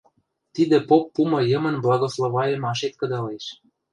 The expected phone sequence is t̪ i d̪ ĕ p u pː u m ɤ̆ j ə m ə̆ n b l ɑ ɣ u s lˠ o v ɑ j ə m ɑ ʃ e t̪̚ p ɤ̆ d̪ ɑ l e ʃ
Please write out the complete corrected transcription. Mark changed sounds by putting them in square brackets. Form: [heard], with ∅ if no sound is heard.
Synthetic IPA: t̪ i d̪ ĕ p [o] pː u m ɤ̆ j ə m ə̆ n b l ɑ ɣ [o] s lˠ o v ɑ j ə m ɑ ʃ e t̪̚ [k] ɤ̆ d̪ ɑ l e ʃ